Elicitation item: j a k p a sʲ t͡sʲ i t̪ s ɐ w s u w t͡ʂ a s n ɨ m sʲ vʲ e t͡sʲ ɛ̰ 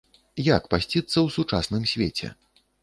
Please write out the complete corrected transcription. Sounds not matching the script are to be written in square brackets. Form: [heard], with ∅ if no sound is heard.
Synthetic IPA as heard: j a k p a sʲ t͡sʲ i t̪ [sː] ɐ w s u [∅] t͡ʂ a s n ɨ m sʲ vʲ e t͡sʲ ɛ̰